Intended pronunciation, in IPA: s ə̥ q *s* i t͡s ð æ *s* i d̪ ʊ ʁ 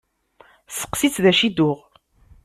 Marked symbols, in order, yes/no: yes, no

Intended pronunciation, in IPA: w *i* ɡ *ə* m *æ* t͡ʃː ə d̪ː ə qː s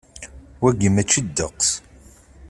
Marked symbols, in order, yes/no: no, yes, yes

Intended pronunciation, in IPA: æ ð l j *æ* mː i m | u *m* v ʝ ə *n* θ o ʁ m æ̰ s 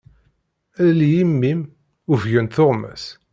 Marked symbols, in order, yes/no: no, no, yes

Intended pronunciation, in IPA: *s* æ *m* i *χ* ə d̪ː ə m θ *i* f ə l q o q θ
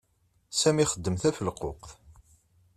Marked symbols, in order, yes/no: yes, yes, yes, no

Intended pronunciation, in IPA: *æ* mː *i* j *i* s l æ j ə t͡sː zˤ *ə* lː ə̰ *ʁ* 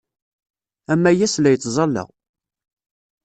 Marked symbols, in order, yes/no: yes, no, no, no, yes

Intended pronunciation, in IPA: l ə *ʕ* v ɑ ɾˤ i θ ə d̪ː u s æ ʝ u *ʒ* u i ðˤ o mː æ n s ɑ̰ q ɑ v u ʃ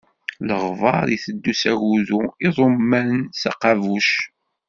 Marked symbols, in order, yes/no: no, no

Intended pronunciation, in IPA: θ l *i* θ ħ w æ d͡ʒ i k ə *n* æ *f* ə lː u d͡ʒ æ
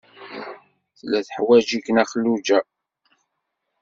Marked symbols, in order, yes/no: no, yes, no

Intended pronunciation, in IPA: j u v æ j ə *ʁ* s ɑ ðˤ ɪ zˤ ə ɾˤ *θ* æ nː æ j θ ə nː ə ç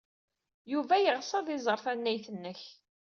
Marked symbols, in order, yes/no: yes, yes

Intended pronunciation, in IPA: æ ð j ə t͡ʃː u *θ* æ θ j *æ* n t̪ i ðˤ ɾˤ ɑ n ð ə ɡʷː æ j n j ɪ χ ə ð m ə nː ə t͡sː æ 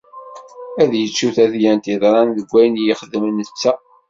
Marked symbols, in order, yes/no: yes, yes

